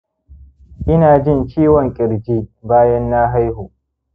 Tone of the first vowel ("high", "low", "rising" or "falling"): high